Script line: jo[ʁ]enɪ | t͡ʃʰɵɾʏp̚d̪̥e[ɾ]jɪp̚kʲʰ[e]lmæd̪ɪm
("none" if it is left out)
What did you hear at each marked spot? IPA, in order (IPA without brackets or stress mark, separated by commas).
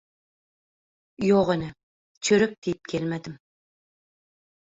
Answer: ʁ, none, e